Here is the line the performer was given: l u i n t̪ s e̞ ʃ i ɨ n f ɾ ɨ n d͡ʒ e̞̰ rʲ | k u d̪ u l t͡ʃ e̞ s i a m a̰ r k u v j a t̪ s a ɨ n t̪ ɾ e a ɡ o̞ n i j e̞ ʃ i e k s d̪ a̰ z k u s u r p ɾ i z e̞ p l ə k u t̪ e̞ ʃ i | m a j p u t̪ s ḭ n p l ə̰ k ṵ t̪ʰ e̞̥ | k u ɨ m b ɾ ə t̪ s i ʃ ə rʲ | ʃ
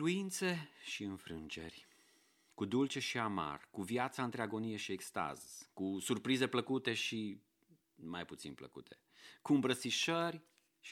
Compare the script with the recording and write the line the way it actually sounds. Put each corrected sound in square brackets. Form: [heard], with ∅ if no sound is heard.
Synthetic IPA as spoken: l u i n t̪ s e̞ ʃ i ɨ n f ɾ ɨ n d͡ʒ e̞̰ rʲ | k u d̪ u l t͡ʃ e̞ [ʃ] i a m a̰ r k u v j a t̪ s a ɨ n t̪ ɾ e a ɡ o̞ n i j e̞ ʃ i e k s [t̪] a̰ z k u s u r p ɾ i z e̞ p l ə k u t̪ e̞ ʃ i | m a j p u t̪ s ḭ n p l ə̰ k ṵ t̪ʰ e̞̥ | k u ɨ m b ɾ ə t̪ s i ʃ ə rʲ | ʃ